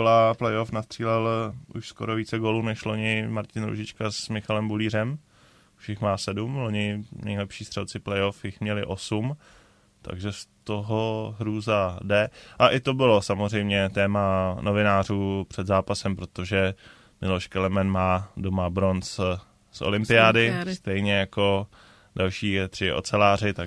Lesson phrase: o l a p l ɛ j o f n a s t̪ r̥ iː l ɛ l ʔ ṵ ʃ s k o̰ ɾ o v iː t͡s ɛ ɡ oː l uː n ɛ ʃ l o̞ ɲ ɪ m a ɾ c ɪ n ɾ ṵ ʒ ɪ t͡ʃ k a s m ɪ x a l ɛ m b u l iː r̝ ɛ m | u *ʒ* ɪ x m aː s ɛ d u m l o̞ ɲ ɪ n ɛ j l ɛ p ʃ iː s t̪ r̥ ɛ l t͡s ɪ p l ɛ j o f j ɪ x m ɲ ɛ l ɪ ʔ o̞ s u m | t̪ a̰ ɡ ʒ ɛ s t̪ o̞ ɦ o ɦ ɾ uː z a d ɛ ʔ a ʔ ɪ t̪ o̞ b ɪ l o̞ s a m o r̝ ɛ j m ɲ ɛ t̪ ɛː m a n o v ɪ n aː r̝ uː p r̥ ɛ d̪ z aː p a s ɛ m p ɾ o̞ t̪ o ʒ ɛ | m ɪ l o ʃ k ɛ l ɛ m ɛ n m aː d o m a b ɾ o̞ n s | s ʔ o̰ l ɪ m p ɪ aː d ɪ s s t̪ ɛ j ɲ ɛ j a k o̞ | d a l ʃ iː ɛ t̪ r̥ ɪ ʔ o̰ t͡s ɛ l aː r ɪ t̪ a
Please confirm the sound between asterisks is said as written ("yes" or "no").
no